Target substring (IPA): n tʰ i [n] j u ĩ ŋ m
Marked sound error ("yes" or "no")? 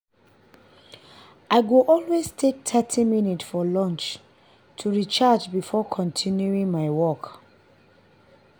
no